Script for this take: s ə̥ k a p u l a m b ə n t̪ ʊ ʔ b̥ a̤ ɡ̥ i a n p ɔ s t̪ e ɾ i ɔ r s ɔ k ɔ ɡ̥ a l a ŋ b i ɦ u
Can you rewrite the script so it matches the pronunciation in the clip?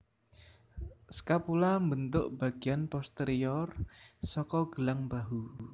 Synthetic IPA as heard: s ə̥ k a p u l a m b ə n t̪ ʊ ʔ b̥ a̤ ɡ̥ i a n p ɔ s t̪ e ɾ i ɔ r s ɔ k ɔ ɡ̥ ə l a ŋ b a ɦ u